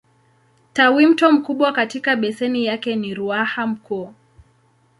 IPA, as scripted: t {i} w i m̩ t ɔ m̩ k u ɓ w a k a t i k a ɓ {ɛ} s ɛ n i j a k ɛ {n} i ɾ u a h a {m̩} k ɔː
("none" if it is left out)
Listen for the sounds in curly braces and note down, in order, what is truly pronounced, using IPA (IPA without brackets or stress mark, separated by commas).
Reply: a, ɛ, n, m̩